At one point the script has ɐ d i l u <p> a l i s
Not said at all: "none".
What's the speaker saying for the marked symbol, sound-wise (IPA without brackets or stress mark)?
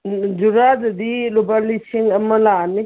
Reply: b